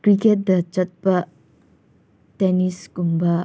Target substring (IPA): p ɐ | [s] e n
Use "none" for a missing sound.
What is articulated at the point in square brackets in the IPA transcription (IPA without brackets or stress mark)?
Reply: t